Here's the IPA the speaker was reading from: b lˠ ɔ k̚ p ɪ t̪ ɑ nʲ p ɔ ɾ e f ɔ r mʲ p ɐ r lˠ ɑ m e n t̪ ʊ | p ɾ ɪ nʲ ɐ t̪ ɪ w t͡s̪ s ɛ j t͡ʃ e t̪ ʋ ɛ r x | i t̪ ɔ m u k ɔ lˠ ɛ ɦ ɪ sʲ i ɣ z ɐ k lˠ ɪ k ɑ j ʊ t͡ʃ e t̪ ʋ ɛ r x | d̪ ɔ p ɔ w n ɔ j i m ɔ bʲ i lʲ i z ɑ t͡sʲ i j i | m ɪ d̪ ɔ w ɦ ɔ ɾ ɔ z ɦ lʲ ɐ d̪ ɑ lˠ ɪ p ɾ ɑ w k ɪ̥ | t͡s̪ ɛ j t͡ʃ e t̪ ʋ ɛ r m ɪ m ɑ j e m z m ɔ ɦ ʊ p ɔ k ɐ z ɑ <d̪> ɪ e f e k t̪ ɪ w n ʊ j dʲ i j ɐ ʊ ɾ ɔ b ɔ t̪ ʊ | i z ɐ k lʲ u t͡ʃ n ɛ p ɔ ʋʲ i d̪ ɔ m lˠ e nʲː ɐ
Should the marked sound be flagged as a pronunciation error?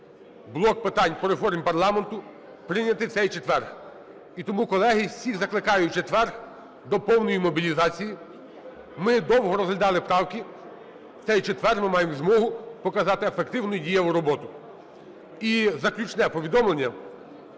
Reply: yes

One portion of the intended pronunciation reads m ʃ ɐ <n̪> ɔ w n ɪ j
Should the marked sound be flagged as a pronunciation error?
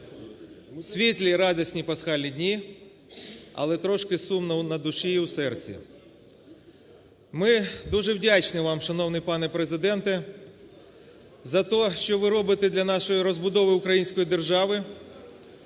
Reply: no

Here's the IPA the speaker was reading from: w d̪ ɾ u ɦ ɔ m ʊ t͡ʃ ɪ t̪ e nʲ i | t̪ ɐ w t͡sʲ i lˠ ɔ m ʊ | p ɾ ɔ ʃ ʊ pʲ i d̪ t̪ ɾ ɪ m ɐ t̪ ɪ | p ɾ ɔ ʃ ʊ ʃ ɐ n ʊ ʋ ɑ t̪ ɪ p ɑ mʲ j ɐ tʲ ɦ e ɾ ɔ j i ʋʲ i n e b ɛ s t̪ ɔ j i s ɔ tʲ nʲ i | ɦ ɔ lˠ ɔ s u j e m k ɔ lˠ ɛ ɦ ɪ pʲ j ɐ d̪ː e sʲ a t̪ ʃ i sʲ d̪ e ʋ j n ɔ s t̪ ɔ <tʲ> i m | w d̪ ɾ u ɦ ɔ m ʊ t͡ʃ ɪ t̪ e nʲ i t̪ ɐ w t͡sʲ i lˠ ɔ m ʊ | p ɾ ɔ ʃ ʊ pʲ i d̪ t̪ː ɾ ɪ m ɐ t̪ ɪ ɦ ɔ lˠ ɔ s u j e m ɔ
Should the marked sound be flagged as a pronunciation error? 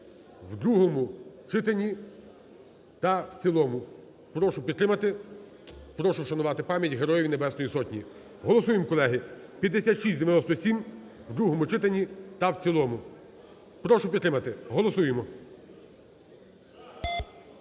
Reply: yes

